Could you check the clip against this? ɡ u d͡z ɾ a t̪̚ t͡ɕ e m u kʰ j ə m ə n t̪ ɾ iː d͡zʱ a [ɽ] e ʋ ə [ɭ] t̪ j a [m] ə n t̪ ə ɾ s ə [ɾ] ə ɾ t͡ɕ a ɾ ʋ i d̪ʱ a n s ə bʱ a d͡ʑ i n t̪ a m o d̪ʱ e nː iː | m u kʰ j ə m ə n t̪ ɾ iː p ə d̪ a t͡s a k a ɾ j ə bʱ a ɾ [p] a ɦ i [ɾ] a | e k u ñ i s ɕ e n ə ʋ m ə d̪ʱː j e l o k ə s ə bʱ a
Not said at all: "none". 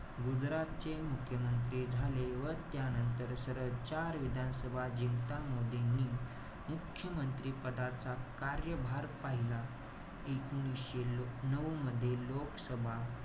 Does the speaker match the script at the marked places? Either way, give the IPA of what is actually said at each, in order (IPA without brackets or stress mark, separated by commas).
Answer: l, ɾ, n, ɾ, p, l